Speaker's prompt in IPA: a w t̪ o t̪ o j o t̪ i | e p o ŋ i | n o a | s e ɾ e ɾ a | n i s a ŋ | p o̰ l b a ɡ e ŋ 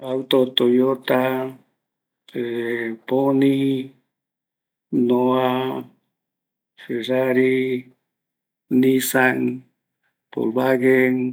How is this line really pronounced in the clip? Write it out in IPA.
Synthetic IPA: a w t̪ o t̪ o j o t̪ a | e p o n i | n o a | f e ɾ a ɾ i | n i s a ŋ | p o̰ l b a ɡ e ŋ